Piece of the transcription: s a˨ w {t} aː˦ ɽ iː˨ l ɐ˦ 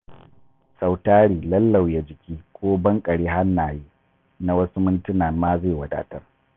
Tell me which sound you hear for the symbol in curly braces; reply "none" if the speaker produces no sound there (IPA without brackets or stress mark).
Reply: t